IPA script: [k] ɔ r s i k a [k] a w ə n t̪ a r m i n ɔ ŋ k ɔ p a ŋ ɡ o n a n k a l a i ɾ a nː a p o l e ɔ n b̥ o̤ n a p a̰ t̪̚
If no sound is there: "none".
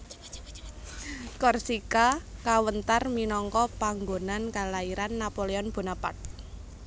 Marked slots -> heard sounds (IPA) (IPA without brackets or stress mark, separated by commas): k, k